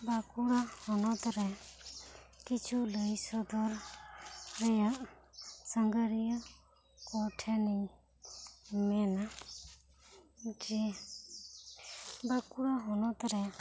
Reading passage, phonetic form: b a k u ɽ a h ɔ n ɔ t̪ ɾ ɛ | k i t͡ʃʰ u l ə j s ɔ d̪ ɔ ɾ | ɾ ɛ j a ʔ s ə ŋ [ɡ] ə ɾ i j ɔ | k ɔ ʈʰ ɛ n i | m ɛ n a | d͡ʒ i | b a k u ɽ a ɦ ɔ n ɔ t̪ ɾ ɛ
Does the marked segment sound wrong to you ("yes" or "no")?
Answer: no